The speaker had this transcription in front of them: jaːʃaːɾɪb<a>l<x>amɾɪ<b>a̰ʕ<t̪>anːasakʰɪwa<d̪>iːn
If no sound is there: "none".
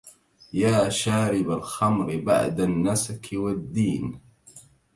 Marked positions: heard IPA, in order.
a, x, b, d̪, d̪ː

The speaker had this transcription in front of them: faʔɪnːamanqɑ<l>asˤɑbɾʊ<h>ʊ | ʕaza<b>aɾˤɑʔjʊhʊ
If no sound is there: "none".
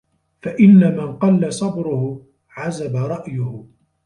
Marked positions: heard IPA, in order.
lː, h, b

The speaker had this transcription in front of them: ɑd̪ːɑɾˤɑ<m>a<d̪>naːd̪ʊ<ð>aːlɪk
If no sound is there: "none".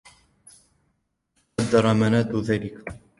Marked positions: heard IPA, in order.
m, none, ð

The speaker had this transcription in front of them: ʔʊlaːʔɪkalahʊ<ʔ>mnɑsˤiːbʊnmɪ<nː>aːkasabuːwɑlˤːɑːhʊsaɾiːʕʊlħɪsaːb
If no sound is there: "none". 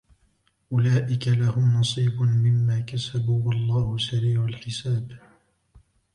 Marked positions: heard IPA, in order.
none, mː

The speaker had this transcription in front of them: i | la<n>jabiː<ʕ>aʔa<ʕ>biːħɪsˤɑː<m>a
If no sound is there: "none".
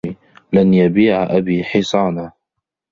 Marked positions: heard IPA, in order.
n, ʕ, none, n

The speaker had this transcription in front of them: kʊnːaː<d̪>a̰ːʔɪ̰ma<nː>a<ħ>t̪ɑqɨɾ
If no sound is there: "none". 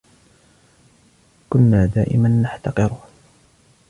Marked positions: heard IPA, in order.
d̪, nː, ħ

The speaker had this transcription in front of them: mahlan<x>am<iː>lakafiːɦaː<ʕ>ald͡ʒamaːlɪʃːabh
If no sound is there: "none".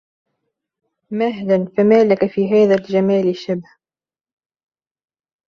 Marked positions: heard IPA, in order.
f, aː, ð

